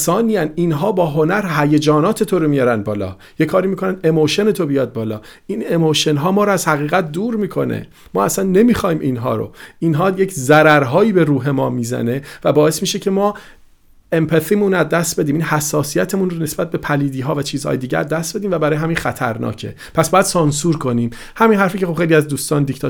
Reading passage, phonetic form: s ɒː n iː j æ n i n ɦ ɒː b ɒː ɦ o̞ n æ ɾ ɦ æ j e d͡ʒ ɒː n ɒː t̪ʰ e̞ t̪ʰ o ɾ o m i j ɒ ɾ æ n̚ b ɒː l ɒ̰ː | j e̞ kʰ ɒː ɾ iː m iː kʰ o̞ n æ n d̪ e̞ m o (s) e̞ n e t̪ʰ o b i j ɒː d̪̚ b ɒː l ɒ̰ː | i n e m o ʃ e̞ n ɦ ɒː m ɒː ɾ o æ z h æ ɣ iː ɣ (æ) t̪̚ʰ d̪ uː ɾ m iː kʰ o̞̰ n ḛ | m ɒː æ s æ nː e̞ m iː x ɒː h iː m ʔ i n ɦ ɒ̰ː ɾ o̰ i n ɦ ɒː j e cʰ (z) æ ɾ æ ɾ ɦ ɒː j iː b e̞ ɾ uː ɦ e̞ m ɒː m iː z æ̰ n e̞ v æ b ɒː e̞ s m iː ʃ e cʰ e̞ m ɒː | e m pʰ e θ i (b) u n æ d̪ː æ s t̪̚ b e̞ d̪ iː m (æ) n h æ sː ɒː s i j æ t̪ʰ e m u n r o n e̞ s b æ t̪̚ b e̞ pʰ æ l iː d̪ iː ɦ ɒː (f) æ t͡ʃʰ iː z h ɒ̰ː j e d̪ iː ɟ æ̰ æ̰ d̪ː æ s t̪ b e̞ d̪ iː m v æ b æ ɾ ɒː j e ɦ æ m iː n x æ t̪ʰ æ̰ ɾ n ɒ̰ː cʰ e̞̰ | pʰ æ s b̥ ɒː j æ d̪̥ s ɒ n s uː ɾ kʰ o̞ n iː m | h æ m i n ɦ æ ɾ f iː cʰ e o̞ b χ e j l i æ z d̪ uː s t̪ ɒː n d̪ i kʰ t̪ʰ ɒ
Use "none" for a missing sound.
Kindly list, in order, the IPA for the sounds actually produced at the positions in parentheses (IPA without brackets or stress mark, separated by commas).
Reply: ʃ, æ, z, m, i, v